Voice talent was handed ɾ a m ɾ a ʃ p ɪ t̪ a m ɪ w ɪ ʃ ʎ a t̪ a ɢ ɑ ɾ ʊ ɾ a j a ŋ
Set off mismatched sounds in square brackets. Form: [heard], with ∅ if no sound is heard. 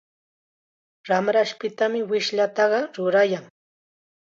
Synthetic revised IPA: ɾ a m ɾ a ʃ p ɪ t̪ a m ɪ w ɪ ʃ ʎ a t̪ [ɑ] ɢ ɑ ɾ ʊ ɾ a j a ŋ